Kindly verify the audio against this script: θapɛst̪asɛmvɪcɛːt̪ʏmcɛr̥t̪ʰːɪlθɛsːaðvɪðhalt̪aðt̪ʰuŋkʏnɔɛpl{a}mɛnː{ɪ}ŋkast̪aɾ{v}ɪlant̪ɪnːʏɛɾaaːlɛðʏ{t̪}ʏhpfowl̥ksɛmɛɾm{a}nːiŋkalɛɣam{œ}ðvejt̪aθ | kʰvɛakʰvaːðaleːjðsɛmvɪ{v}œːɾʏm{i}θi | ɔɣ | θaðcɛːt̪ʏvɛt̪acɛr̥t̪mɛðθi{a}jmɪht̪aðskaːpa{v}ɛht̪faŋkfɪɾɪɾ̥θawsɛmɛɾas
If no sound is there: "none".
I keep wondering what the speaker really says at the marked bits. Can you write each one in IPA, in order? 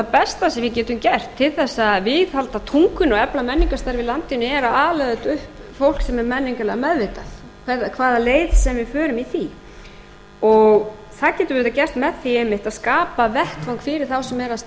a, i, v, t̪, ɛ, ɛ, f, i, e, v

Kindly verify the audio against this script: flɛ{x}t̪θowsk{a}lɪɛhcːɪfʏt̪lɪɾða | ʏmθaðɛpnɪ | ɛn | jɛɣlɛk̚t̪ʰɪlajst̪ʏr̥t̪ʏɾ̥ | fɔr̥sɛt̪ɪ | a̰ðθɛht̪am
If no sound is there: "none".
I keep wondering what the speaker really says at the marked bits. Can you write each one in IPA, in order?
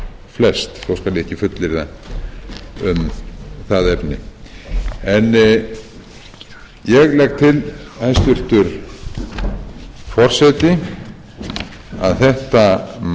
s, a

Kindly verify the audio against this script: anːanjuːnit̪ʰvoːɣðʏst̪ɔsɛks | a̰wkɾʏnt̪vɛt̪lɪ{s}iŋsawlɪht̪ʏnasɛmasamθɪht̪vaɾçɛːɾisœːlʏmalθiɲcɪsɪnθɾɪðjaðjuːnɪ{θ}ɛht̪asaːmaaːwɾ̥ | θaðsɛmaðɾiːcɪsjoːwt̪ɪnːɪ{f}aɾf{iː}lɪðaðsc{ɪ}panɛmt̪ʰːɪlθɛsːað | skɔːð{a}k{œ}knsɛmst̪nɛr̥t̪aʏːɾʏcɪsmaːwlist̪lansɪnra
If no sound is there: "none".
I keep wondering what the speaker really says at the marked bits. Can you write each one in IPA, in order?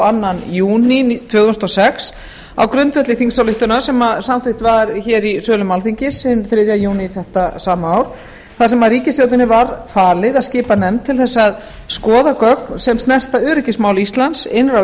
θ, θ, v, aː, ɪː, a, œ

